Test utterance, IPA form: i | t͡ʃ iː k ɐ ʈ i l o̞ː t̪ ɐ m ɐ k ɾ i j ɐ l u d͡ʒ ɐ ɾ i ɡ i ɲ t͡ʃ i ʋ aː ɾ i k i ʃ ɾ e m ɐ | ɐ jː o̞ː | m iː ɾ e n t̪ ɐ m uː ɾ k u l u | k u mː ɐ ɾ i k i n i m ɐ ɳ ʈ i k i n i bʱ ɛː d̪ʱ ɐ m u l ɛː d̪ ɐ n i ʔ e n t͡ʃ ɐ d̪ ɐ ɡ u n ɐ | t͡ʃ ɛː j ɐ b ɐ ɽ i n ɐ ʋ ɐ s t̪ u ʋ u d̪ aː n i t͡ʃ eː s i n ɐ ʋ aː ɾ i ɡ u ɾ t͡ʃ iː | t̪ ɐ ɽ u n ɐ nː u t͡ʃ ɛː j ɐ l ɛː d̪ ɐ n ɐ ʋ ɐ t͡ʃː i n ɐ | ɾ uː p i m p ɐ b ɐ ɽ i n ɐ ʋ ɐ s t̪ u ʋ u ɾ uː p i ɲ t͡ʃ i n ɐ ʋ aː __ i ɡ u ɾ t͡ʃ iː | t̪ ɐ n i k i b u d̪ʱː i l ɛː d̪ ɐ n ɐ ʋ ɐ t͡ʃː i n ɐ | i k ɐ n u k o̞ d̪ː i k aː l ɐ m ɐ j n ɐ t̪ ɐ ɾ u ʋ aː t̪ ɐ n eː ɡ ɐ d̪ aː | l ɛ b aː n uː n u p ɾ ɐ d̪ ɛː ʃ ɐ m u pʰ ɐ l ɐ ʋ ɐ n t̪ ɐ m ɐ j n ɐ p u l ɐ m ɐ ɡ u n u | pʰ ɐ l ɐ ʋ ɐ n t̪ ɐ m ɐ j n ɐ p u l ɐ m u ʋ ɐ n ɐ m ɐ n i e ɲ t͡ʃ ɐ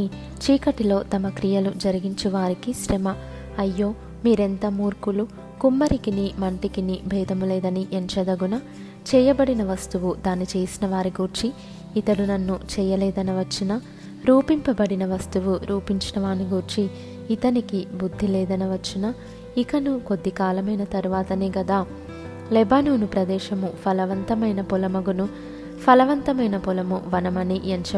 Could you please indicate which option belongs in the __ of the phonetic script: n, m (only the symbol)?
n